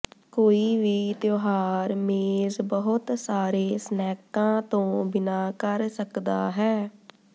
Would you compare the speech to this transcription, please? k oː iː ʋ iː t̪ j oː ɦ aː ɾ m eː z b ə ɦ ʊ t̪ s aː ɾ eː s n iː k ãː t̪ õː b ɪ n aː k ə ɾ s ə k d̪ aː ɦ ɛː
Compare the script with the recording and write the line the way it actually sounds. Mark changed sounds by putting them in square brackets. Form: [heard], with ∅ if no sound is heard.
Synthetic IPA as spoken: k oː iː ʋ iː t̪ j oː ɦ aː ɾ m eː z b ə ɦ ʊ t̪ s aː ɾ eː s n [ɛː] k ãː t̪ õː b ɪ n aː k ə ɾ s ə k d̪ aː ɦ ɛː